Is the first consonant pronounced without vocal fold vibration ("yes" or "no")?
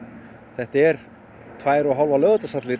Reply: yes